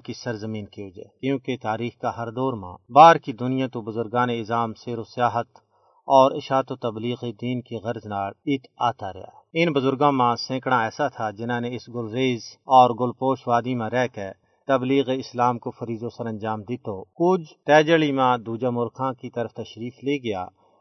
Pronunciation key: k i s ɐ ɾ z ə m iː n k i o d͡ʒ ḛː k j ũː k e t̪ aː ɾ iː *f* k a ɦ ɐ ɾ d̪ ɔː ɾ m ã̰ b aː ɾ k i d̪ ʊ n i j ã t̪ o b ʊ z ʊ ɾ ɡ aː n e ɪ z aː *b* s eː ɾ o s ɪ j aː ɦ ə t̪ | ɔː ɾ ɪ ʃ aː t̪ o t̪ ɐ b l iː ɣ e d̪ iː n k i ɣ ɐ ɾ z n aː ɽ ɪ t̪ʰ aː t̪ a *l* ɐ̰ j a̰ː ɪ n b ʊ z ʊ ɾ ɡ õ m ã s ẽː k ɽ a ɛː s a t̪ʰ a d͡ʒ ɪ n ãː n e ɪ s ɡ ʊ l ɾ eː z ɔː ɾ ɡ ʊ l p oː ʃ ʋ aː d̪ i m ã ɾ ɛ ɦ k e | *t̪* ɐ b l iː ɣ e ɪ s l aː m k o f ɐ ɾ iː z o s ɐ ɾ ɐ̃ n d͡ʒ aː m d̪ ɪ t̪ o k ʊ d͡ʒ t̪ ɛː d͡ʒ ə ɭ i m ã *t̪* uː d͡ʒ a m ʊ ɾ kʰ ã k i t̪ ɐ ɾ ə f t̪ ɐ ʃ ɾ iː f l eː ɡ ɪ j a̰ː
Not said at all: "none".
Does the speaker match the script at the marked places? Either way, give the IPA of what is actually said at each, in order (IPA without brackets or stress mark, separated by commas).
x, m, ɾ, t̪, d̪